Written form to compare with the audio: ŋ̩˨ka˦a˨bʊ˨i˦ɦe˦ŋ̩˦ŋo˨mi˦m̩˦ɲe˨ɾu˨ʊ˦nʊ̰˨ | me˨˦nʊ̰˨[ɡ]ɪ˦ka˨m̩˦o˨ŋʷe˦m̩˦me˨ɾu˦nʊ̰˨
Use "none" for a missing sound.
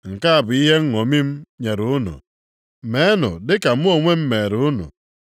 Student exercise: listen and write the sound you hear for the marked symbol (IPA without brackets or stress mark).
d